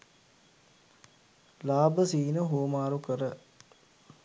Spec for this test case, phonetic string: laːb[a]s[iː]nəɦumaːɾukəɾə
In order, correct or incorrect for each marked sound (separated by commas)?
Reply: incorrect, correct